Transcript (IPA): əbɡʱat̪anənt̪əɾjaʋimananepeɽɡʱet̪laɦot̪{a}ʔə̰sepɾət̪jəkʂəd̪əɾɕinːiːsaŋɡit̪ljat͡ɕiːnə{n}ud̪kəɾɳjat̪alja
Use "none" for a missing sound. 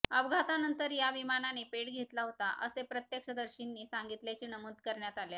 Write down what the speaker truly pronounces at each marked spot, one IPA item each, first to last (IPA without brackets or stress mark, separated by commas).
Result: a, m